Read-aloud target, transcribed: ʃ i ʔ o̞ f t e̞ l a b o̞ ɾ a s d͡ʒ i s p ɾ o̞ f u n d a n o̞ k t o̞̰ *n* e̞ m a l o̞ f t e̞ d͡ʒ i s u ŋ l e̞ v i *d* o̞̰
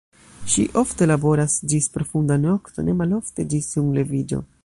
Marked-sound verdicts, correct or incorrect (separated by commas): correct, incorrect